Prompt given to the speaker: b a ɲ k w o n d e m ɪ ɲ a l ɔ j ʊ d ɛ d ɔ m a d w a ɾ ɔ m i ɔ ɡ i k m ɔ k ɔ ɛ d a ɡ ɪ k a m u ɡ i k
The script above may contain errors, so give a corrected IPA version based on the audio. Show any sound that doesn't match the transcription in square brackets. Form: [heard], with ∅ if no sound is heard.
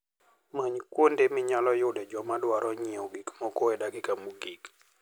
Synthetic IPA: [m] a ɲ k w o n d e m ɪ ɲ a l ɔ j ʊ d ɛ [d͡ʒ] ɔ m a d w a ɾ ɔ [ɲ] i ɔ ɡ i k m ɔ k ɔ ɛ d a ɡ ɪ k a m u ɡ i k